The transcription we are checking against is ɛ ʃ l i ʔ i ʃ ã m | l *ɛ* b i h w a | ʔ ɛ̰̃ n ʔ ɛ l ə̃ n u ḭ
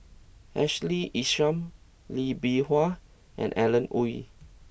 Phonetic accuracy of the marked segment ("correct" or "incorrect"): incorrect